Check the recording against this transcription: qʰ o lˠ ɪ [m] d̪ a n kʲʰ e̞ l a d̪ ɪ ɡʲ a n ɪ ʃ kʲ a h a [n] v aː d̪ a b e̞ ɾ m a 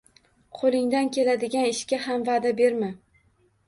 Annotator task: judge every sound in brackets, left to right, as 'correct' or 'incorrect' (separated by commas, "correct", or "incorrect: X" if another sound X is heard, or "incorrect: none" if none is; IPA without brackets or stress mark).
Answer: incorrect: ŋ, incorrect: m